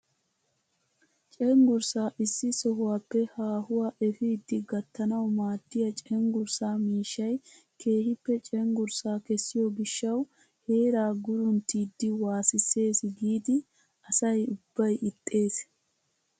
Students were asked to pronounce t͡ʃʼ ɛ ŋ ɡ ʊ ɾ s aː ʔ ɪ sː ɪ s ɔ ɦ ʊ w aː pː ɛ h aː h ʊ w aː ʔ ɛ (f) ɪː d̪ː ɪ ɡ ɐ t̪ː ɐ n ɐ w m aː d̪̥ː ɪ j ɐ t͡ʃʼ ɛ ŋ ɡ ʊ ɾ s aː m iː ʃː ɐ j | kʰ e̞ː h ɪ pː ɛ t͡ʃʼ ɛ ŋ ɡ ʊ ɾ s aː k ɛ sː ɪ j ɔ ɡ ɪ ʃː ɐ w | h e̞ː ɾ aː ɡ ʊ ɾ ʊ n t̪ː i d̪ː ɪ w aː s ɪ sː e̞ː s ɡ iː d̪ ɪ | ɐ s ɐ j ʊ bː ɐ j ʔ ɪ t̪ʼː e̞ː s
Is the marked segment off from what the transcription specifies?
no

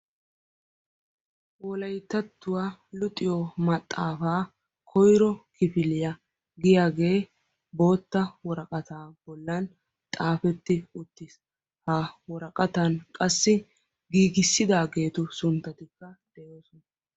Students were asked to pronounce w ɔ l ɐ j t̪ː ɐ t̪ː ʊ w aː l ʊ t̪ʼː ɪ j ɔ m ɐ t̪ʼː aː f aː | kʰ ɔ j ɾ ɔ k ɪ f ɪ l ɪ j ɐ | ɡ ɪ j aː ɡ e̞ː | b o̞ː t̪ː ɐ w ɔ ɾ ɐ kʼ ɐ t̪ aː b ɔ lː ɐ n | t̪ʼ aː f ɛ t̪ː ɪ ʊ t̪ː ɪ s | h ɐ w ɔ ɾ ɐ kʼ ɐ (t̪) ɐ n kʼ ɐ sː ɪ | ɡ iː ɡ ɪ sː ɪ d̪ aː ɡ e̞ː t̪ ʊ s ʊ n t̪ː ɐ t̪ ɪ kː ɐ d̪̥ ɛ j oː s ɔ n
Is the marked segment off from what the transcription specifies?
no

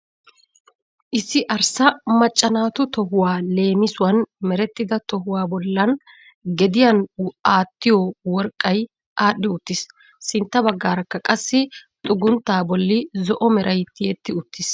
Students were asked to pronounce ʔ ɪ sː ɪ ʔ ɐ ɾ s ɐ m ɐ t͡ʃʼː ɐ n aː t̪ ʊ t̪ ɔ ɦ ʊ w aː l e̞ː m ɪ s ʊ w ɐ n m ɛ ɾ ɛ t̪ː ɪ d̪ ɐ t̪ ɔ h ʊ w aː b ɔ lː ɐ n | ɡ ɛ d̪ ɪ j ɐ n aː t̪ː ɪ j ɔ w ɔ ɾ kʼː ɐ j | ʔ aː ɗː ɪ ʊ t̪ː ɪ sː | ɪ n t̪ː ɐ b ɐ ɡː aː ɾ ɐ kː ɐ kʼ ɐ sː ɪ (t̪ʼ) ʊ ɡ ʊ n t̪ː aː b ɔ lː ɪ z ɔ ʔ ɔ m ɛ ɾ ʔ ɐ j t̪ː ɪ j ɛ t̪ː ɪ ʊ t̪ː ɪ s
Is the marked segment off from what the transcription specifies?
no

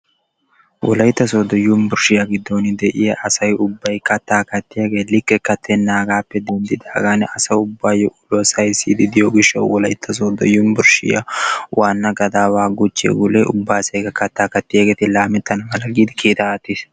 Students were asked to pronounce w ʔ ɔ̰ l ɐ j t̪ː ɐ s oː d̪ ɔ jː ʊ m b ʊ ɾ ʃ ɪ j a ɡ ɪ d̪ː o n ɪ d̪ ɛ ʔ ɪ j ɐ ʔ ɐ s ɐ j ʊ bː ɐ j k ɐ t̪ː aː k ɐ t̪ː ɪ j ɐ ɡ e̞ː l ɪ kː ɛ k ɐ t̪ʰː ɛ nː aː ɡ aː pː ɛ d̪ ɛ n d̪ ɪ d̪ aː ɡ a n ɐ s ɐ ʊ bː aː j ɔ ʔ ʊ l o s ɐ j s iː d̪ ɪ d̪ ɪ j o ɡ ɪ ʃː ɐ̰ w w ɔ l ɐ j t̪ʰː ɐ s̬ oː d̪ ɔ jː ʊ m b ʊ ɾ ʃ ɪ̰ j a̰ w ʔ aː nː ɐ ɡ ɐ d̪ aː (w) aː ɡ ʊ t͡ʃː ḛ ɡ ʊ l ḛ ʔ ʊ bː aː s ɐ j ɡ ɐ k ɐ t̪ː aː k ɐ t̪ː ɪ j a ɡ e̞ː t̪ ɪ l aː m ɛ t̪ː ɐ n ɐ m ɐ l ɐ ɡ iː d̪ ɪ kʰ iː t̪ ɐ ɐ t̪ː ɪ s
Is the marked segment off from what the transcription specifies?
no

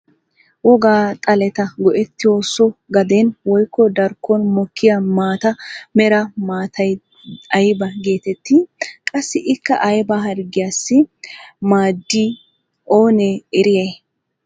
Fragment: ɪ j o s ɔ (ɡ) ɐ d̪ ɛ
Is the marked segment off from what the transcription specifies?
no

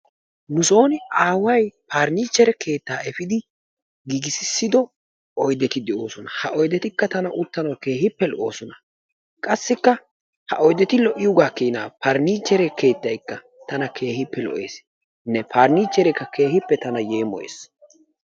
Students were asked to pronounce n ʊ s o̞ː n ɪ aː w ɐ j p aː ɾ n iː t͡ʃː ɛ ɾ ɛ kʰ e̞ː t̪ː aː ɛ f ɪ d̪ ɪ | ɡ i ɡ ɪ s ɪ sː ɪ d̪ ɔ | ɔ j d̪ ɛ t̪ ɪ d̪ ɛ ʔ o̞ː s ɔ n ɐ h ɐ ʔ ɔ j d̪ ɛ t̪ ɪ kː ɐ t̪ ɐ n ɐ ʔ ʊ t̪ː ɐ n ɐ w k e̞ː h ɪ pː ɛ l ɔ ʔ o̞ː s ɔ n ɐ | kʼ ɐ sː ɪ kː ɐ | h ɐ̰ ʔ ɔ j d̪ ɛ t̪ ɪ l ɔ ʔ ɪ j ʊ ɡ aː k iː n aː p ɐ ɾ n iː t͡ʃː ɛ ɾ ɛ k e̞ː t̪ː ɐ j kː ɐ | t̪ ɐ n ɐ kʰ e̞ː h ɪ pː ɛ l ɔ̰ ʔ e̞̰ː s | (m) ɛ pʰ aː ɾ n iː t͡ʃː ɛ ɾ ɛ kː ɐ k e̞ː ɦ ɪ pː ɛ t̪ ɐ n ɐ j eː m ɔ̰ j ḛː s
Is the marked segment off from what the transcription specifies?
yes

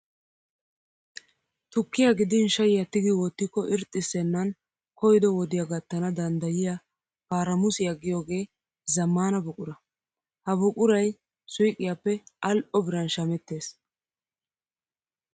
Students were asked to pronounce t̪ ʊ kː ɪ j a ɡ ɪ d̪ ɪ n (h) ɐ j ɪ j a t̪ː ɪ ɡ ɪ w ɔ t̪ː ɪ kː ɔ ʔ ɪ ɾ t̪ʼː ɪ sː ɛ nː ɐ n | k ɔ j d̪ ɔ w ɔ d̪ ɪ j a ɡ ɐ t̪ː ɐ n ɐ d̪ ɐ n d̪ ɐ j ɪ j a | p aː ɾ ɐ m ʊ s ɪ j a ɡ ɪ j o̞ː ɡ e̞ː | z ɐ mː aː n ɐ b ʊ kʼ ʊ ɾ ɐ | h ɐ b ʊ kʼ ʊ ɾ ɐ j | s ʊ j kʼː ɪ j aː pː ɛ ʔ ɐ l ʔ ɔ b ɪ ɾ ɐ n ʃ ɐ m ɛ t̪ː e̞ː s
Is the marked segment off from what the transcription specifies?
yes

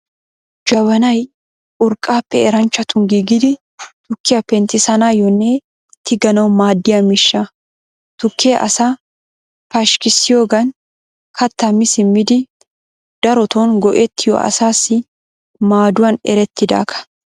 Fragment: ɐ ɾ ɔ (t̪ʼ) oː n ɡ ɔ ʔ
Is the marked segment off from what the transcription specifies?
yes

